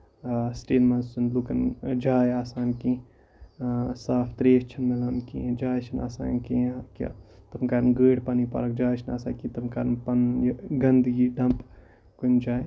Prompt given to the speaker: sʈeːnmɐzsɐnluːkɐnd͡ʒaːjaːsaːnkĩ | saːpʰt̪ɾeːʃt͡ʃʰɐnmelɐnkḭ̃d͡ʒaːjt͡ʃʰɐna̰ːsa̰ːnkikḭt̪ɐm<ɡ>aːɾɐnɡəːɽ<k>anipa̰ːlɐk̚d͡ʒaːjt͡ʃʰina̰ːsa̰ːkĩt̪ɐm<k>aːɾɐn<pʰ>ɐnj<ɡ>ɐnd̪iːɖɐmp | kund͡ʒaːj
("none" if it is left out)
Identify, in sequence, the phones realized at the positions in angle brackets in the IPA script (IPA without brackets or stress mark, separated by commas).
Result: k, p, k, p, ɡ